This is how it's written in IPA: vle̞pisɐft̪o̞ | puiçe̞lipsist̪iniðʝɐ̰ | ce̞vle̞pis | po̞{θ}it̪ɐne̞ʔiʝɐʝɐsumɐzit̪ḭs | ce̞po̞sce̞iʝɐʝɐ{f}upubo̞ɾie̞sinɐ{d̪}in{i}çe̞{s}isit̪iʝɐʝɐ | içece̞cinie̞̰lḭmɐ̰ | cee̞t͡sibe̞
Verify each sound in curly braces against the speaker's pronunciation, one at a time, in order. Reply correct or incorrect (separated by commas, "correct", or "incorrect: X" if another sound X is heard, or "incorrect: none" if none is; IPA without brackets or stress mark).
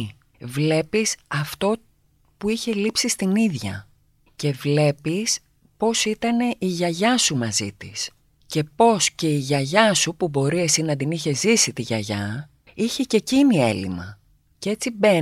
incorrect: s, incorrect: s, correct, correct, incorrect: z